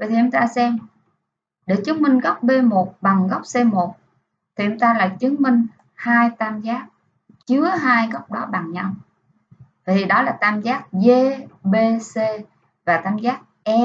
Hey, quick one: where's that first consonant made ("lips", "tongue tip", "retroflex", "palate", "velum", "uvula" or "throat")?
lips